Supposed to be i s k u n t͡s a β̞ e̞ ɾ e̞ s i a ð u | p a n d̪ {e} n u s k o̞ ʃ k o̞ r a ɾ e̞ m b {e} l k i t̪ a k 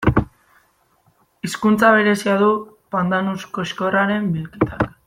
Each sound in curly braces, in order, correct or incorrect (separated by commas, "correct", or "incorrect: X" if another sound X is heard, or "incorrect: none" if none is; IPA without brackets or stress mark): incorrect: a, incorrect: i